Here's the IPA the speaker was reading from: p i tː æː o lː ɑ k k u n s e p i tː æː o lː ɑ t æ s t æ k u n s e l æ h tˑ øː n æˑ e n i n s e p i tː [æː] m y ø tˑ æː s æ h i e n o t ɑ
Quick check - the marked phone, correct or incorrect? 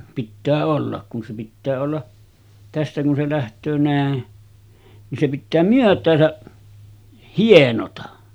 correct